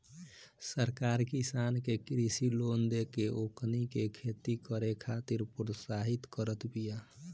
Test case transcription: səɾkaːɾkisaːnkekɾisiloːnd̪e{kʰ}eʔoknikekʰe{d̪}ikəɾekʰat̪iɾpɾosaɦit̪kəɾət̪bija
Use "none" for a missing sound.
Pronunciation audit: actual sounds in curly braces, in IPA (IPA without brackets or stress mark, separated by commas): k, t̪